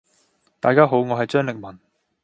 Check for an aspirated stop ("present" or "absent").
absent